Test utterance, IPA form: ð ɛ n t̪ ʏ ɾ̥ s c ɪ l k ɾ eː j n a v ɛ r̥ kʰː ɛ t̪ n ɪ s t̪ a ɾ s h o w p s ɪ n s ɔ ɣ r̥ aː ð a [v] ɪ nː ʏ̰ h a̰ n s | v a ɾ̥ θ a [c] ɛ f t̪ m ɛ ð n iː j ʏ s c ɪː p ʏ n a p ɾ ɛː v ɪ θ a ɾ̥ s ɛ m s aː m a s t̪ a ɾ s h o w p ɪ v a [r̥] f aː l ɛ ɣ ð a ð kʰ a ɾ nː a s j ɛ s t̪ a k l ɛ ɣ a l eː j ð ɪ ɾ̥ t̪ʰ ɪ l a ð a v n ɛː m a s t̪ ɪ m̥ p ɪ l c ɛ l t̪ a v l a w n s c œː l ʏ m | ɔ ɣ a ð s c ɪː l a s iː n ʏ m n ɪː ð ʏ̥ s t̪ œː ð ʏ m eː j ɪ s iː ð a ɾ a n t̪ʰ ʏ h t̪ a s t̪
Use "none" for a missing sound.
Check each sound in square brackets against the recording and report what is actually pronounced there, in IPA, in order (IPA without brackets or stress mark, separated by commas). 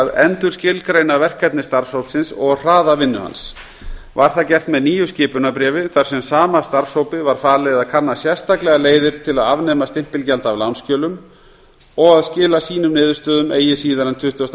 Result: v, c, ɾ̥